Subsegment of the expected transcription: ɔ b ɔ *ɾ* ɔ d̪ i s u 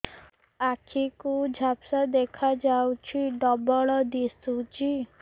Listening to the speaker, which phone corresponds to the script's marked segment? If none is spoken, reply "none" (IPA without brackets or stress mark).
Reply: ɭ